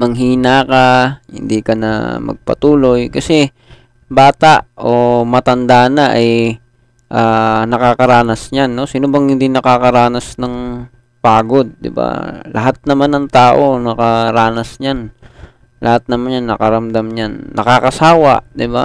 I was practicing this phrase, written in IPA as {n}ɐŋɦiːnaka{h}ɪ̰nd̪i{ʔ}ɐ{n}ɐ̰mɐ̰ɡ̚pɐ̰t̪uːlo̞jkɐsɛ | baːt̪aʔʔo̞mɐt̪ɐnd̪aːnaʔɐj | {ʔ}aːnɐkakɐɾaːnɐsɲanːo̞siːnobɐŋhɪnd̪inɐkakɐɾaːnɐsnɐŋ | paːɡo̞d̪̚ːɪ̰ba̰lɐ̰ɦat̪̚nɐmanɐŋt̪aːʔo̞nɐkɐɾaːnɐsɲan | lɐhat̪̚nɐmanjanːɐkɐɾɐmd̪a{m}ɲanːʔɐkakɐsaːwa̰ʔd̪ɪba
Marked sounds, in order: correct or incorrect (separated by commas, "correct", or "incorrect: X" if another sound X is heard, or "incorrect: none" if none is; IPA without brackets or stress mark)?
incorrect: m, correct, incorrect: k, correct, correct, correct